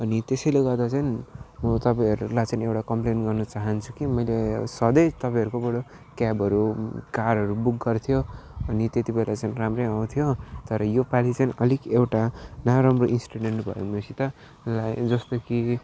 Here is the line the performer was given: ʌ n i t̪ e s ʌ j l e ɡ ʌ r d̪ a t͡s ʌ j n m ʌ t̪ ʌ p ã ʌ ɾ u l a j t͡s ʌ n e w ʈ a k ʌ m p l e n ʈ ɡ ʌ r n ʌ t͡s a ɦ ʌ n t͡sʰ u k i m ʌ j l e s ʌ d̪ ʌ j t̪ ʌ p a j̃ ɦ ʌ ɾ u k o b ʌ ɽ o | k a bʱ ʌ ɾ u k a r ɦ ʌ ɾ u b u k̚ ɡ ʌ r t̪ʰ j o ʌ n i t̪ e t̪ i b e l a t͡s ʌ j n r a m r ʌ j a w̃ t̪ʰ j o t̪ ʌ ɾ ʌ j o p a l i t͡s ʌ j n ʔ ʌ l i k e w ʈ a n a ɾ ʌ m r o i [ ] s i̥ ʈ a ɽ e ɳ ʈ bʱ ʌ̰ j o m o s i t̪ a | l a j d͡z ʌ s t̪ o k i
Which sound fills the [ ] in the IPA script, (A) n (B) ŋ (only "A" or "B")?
A